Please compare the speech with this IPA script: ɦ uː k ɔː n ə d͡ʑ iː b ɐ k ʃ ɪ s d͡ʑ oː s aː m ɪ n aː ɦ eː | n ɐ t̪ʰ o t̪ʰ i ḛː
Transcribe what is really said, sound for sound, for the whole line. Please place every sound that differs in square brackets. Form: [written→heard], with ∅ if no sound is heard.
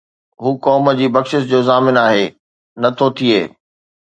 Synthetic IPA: ɦ uː k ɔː [n→m] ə d͡ʑ iː b ɐ k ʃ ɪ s d͡ʑ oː [s→z] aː m ɪ n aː ɦ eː | n ɐ t̪ʰ o t̪ʰ i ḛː